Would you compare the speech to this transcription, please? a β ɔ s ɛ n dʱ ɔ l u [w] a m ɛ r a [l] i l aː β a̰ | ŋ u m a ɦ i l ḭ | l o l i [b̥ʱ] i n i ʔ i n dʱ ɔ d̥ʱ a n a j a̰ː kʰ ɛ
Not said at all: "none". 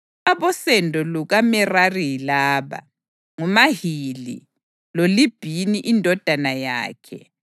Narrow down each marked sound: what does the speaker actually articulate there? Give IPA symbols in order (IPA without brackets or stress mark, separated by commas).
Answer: ɣ, r, b̥ʱ